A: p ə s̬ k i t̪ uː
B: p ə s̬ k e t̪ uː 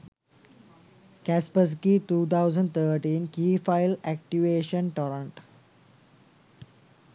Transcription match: A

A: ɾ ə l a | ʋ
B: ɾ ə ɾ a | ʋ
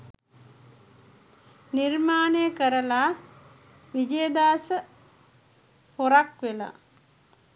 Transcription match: A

